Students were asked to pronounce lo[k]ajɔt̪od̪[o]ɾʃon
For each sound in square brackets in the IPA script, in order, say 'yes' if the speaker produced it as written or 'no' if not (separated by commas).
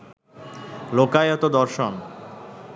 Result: yes, no